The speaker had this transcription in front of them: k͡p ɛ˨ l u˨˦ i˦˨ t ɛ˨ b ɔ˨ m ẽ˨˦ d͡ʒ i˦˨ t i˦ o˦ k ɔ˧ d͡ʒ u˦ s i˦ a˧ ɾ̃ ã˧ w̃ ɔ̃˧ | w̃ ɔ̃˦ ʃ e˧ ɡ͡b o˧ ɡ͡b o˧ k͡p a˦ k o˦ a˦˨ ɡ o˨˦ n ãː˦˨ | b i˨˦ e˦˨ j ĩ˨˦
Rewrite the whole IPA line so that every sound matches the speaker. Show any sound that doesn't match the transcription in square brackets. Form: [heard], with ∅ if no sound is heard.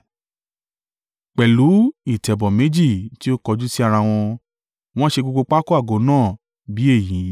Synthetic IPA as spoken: k͡p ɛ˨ l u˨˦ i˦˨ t ɛ˨ b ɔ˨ m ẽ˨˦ d͡ʒ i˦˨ t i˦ o˦ k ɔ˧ d͡ʒ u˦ s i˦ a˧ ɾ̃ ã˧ w̃ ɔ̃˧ | w̃ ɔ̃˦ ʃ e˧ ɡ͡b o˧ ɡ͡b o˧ k͡p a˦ k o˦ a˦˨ ɡ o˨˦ n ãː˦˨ | b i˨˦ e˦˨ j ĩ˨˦